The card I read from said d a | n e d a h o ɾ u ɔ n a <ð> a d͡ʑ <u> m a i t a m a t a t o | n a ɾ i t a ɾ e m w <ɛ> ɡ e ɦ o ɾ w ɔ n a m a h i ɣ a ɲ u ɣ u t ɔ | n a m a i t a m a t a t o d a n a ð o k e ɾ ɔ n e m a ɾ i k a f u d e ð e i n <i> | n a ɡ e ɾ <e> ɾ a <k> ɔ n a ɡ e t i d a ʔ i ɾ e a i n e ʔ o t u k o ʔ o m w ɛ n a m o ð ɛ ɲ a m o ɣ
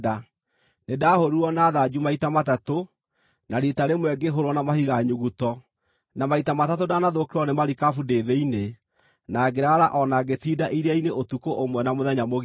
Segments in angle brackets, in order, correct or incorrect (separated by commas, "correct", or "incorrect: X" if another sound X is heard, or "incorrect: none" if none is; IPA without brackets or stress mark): correct, correct, correct, incorrect: e, incorrect: a, incorrect: ʔ